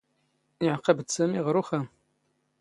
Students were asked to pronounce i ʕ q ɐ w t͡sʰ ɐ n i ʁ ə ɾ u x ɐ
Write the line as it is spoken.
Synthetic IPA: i ʕ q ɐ b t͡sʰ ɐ m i ʁ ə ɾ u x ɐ